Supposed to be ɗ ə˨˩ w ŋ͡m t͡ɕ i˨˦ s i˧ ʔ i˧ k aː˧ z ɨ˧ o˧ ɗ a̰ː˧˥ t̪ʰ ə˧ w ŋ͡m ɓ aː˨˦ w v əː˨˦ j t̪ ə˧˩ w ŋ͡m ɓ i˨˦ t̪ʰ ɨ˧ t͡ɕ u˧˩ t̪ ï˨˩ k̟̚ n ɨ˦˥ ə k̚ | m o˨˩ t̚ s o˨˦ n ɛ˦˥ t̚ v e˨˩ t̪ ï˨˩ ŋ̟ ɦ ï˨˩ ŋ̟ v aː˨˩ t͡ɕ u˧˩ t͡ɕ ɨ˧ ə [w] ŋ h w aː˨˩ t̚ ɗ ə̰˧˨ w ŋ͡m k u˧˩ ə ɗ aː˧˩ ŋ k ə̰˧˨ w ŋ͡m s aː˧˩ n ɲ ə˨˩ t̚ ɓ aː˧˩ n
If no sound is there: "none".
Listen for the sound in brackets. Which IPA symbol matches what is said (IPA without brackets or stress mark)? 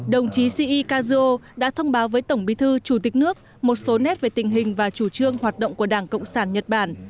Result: none